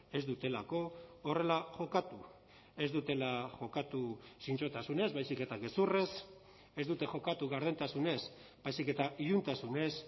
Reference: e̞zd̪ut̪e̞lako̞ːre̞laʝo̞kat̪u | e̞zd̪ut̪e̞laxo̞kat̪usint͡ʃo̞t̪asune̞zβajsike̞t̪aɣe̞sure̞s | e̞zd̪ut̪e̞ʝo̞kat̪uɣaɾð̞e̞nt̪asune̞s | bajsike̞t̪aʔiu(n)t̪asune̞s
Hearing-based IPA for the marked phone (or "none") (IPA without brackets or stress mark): n